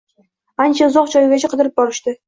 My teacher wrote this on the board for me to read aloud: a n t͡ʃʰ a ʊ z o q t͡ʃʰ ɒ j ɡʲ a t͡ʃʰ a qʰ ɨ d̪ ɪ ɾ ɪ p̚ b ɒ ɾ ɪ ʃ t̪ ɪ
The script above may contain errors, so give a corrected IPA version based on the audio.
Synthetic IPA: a n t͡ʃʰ a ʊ z ɒ q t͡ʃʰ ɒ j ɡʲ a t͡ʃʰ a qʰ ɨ d̪ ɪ ɾ ɪ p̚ b ɒ ɾ ɪ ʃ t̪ ɪ